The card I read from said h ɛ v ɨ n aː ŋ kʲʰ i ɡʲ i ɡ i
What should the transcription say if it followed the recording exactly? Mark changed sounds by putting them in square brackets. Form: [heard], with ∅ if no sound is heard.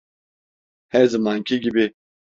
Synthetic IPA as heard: h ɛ [z] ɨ [m] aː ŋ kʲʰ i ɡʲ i [b] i